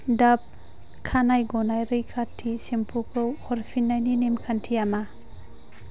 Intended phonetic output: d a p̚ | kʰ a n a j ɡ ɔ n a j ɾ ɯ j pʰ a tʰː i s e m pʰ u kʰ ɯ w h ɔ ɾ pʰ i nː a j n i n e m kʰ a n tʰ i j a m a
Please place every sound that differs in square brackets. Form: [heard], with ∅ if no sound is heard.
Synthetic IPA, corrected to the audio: d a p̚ | kʰ a n a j ɡ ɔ n a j ɾ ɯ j [kʰ] a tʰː i s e m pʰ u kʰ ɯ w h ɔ ɾ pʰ i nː a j n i n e m kʰ a n tʰ i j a m a